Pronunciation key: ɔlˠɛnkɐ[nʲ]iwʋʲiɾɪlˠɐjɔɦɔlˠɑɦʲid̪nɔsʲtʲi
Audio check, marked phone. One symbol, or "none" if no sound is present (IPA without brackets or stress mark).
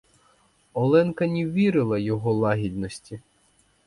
nʲ